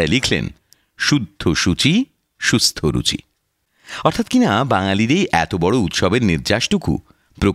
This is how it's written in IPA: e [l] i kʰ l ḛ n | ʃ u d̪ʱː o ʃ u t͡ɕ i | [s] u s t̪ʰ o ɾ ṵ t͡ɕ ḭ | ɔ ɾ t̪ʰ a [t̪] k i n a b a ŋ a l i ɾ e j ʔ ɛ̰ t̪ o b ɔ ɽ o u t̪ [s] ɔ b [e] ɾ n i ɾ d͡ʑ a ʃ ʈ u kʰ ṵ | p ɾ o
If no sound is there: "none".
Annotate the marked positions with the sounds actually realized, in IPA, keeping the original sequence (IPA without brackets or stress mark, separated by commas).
l, ʃ, t̪, ʃ, e